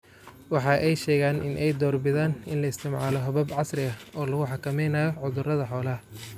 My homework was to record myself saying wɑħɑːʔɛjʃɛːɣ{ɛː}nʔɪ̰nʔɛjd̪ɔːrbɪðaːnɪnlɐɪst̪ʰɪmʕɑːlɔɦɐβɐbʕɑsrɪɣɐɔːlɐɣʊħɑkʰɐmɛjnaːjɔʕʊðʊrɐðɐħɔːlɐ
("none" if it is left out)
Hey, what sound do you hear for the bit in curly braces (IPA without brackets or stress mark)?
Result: aː